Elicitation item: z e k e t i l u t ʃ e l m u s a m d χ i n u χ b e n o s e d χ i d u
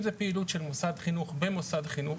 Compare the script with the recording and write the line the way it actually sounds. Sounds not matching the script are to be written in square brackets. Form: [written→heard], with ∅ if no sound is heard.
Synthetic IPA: z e [k→p] e [t→∅] i l u t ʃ e l m [u→o] s a [m→∅] d χ i n u χ b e [n→m] o s [e→a] d χ i [d→n] u